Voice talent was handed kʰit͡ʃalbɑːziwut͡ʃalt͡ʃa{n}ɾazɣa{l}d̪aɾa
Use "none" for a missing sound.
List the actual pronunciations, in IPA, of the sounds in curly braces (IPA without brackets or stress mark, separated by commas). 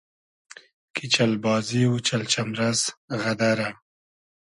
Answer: m, none